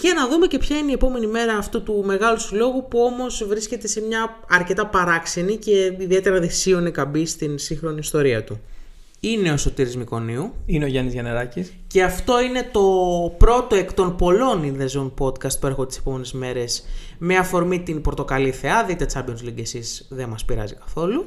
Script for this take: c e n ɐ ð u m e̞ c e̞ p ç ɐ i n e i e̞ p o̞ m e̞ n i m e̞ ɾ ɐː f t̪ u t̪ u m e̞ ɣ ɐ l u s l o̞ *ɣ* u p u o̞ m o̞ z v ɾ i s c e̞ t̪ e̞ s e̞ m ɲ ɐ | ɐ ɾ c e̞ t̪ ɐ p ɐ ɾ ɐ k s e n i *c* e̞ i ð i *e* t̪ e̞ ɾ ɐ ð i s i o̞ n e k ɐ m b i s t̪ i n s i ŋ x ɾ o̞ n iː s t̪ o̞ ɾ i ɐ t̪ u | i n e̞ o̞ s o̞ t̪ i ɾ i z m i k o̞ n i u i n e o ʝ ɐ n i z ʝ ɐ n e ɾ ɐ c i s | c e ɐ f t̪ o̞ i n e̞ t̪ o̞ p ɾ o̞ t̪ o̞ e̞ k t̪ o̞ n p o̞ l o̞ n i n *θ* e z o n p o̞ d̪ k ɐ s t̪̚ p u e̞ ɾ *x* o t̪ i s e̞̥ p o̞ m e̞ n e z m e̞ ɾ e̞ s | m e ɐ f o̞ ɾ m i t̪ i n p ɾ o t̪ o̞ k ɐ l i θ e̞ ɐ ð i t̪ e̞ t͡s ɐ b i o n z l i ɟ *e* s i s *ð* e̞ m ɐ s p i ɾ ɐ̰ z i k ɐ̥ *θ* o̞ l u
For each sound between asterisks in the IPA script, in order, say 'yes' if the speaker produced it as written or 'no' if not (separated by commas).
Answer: yes, yes, yes, no, yes, yes, yes, yes